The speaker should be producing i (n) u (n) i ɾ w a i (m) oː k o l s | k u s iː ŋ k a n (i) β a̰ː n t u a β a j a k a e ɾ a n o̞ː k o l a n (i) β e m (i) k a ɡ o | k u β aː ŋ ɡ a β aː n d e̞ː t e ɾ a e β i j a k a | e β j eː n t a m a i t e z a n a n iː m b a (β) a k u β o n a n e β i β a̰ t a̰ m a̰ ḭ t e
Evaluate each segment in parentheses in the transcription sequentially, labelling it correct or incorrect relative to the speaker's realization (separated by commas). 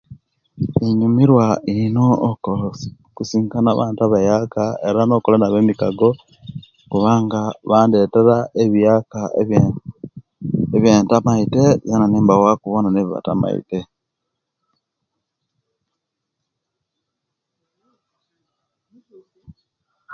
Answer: incorrect, incorrect, incorrect, incorrect, incorrect, correct, incorrect